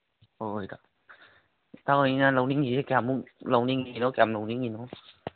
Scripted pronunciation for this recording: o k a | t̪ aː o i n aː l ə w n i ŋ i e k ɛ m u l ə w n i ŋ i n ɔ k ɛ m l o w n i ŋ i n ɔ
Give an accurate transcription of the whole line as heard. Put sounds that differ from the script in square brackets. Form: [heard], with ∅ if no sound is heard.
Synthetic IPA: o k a | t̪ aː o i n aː l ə w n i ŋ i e k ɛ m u l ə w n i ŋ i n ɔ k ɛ m l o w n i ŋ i n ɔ